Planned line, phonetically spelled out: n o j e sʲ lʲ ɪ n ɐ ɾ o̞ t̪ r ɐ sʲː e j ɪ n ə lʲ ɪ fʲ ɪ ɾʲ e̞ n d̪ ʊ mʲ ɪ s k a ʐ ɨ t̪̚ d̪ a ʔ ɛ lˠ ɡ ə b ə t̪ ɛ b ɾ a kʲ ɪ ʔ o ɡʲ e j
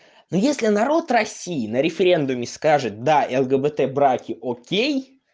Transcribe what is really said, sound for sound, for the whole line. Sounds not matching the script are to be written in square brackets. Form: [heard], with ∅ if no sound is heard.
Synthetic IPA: n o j e sʲ lʲ ɪ n ɐ ɾ o̞ t̪ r ɐ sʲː [i] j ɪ n ə [ɾʲ] ɪ fʲ ɪ ɾʲ e̞ n d̪ ʊ mʲ ɪ s k a ʐ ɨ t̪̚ d̪ a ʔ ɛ lˠ ɡ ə b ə t̪ ɛ b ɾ a kʲ ɪ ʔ o [kʲ] e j